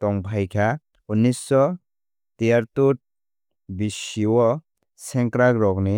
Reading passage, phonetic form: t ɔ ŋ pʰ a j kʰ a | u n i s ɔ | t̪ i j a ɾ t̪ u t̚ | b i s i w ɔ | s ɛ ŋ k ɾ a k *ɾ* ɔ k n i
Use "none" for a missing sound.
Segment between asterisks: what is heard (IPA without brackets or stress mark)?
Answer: ɾ